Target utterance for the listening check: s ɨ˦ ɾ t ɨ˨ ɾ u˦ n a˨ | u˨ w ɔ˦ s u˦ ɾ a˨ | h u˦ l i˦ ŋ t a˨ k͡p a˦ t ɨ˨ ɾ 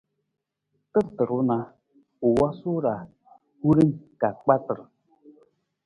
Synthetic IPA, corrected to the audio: t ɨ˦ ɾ t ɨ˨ ɾ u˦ n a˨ | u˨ w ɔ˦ s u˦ ɾ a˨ | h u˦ ɾ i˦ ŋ k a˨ k͡p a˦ t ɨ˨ ɾ